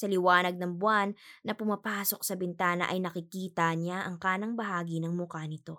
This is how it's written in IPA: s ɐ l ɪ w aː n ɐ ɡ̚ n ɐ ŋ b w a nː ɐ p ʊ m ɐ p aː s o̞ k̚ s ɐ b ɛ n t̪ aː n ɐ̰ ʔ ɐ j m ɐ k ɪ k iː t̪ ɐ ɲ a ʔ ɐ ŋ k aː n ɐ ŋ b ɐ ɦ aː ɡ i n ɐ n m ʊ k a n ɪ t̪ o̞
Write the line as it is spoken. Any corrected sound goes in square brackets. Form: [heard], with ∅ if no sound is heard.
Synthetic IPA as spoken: s ɐ l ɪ w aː n ɐ ɡ̚ n ɐ ŋ b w a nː ɐ p ʊ m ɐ p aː s o̞ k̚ s ɐ b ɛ n t̪ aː n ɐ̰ ʔ ɐ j [n] ɐ k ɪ k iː t̪ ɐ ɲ a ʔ ɐ ŋ k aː n ɐ ŋ b ɐ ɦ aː ɡ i n ɐ [ŋ] m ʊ k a n ɪ t̪ o̞